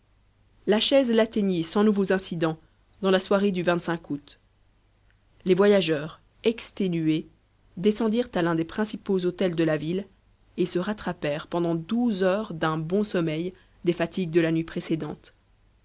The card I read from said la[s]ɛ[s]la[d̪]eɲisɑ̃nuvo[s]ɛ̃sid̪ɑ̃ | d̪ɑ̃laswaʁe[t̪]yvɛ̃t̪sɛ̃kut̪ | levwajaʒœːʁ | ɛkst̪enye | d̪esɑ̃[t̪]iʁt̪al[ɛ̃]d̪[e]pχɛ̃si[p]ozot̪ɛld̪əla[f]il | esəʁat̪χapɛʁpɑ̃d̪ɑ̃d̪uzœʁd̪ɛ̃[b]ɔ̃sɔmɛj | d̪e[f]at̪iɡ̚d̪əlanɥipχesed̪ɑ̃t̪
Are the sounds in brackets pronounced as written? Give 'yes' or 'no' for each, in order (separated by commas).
no, no, no, no, no, no, yes, yes, yes, no, yes, yes